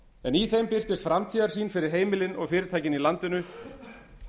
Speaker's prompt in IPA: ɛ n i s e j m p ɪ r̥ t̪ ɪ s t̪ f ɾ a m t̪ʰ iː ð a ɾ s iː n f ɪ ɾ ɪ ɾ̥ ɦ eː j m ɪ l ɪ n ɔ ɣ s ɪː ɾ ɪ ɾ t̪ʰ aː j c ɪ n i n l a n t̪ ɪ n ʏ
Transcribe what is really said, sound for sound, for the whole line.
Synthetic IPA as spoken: ɛ n i θ e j m p ɪ r̥ t̪ ɪ s t̪ f ɾ a m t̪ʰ iː ð a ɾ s iː n f ɪ ɾ ɪ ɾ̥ ɦ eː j m ɪ l ɪ n ɔ ɣ f ɪː ɾ ɪ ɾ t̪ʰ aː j c ɪ n i l a n t̪ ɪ n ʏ

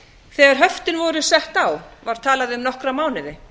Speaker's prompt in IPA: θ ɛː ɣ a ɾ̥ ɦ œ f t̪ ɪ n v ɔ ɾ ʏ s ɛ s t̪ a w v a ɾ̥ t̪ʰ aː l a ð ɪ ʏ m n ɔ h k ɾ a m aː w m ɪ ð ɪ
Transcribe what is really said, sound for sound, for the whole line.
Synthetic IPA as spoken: θ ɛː ɣ a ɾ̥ ɦ œ f t̪ ɪ n v ɔ ɾ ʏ s ɛ h t̪ a w v a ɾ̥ t̪ʰ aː l a ð ɪ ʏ m n ɔ h k ɾ a m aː w n ɪ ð ɪ

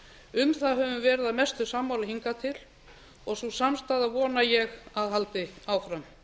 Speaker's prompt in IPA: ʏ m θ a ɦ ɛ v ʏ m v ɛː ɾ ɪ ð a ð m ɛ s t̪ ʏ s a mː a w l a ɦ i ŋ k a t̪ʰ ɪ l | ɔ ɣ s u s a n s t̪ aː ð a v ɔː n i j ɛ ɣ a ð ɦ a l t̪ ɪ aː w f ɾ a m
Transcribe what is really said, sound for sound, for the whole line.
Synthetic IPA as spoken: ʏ m θ a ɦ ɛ v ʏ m v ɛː ɾ ɪ ð a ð m ɛ s t̪ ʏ s a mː a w l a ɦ i ŋ k a t̪ʰ ɪ l | ɔ ɣ s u s a m s t̪ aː ð a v ɔː n a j ɛ ɣ a ð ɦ a l t̪ ɪ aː w f ɾ a m

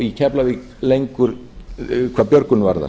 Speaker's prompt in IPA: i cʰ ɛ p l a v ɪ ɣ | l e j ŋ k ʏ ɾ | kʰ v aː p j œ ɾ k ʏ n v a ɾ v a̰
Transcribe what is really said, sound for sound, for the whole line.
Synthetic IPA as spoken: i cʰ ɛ p l a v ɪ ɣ | l e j ŋ k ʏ ɾ | kʰ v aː p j œ ɾ k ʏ n v a ɾ ð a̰

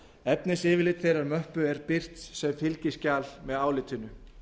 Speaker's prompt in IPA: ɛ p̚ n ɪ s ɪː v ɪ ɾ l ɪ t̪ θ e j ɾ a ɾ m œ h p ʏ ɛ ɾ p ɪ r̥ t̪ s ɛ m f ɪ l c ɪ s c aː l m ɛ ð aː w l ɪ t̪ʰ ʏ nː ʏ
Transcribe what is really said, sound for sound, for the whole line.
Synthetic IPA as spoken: ɛ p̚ n ɪ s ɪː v ɪ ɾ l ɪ t̪ θ e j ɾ a ɾ m œ h p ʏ ɛ ɾ p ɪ r̥ t̪ s ɛ m f ɪ l c ɪ s c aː l m ɛ ð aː w l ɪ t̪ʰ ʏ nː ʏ

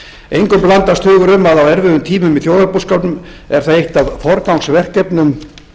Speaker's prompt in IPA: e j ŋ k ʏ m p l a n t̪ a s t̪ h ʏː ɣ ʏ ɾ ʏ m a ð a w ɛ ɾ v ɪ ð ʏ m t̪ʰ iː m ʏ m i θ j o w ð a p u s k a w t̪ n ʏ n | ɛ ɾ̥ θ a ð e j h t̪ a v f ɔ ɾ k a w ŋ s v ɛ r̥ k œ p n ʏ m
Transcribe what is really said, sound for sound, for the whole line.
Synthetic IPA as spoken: e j ŋ k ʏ m p l a n t̪ a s t̪ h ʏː ɣ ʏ ɾ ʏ m a ð a w ɛ ɾ v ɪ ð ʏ m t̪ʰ iː m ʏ m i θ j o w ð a p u s k a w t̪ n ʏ m | ɛ ɾ̥ θ a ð e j h t̪ a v f ɔ ɾ k a w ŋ s v ɛ r̥ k ɛ p n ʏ m

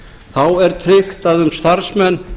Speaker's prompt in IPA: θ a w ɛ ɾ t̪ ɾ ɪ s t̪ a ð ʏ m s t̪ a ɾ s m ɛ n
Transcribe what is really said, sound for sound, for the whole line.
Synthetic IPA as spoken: θ a w ɛ ɾ t̪ʰ ɾ ɪ x t̪ a ð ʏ m s t̪ a ɾ s m ɛ n

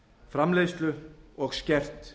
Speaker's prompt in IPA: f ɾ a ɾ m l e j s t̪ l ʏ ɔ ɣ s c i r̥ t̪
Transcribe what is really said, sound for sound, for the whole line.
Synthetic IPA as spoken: f ɾ a m l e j s t̪ l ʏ ɔ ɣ s c ɛ r̥ t̪

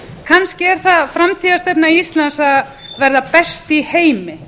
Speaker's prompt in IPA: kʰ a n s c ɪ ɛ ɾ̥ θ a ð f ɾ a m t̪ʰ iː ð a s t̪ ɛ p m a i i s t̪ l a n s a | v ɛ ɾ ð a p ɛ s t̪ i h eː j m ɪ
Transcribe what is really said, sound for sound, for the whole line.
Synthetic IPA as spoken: kʰ a n s c ɪ ɛ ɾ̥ θ a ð f ɾ a m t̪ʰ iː ð a s t̪ ɛ p n a i i s t̪ l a n s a | v ɛ ɾ ð a p ɛ s t̪ i h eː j m ɪ

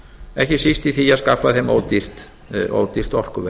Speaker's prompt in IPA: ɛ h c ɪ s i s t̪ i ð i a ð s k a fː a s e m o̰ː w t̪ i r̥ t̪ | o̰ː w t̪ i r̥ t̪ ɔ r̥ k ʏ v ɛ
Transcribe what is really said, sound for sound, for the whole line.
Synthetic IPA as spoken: ɛ h c ɪ s i s t̪ i θ i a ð s k a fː a θ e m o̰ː w t̪ i r̥ t̪ | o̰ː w t̪ i r̥ t̪ ɔ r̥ k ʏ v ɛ

